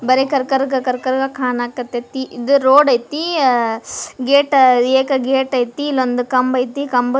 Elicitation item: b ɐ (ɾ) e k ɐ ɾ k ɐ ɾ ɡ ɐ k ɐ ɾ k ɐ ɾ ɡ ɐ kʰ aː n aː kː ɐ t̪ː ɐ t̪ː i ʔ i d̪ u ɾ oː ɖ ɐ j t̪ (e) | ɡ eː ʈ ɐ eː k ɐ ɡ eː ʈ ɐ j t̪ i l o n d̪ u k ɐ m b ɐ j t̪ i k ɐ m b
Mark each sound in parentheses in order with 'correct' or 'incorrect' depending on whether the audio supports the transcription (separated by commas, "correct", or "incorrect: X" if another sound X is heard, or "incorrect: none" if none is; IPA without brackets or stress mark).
correct, incorrect: i